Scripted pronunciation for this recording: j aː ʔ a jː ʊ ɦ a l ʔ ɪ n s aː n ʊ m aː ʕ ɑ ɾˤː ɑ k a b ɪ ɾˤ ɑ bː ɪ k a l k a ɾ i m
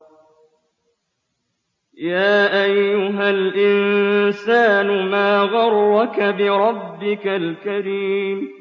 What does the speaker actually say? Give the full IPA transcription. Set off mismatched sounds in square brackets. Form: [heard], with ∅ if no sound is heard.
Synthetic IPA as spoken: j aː ʔ a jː ʊ ɦ a l ʔ ɪ n s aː n ʊ m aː [ɣ] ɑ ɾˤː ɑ k a b ɪ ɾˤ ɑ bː ɪ k a l k a ɾ [iː] m